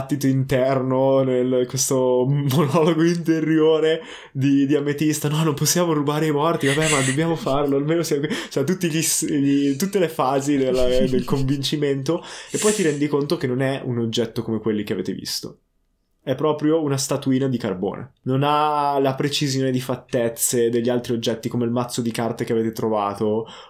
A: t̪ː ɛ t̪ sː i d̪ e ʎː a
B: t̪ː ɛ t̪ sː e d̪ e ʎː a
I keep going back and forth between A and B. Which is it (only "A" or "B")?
B